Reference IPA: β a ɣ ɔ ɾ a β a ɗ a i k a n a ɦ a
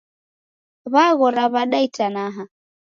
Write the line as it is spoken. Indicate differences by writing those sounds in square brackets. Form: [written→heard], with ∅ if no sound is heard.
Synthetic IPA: β a ɣ ɔ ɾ a β a ɗ a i [k→t] a n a ɦ a